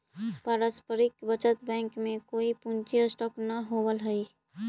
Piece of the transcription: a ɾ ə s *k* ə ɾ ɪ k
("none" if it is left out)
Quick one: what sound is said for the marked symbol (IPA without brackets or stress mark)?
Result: p